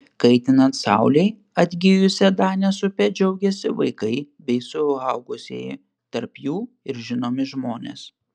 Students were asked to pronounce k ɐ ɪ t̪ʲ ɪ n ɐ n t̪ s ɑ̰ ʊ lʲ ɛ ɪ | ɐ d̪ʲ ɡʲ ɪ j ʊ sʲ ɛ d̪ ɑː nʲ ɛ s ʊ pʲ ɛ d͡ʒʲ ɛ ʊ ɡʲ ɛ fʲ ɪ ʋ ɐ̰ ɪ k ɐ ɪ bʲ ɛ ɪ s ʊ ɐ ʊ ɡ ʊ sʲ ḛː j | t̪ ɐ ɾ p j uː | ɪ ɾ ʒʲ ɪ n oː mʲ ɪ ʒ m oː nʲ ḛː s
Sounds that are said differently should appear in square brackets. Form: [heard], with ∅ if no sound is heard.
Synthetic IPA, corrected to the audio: k ɐ ɪ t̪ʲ ɪ n ɐ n t̪ s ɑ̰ ʊ lʲ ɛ ɪ | ɐ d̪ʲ ɡʲ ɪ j ʊ sʲ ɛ d̪ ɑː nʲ ɛ s ʊ pʲ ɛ d͡ʒʲ ɛ ʊ ɡʲ ɛ [sʲ] ɪ ʋ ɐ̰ ɪ k ɐ ɪ bʲ ɛ ɪ s ʊ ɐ ʊ ɡ ʊ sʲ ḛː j | t̪ ɐ ɾ p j uː | ɪ ɾ ʒʲ ɪ n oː mʲ ɪ ʒ m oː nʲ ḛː s